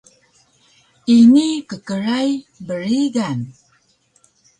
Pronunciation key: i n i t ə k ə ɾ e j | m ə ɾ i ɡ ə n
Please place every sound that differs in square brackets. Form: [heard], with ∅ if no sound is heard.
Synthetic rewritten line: i n i [k] ə k ə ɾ [a] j | [b] ə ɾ i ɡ [a] n